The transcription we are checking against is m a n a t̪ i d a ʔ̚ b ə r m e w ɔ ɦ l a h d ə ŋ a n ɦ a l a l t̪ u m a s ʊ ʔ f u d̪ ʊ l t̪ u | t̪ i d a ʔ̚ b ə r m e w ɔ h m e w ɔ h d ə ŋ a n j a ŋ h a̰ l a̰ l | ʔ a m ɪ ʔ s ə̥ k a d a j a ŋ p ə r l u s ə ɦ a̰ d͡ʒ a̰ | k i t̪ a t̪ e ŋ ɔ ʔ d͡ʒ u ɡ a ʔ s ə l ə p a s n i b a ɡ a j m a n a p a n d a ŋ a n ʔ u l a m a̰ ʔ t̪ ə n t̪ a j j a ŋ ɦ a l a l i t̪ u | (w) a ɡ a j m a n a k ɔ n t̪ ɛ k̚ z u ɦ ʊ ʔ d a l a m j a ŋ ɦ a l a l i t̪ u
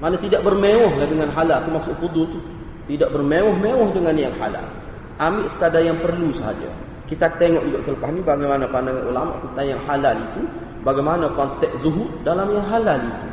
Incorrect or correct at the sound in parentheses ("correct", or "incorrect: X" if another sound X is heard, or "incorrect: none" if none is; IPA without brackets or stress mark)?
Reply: incorrect: b